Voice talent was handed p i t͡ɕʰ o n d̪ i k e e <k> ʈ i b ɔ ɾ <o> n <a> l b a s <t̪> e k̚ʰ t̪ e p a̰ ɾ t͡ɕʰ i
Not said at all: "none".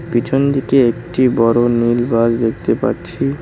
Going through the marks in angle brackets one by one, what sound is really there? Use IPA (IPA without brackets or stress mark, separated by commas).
k, o, i, d̪